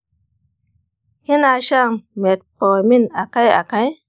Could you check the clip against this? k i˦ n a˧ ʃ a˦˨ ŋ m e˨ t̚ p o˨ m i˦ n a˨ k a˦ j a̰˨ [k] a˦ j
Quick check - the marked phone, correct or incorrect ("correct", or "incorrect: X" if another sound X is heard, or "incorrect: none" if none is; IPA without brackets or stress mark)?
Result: correct